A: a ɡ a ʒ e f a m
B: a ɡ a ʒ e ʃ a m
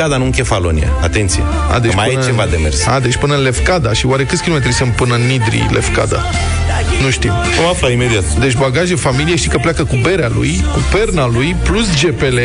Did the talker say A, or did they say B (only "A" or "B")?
A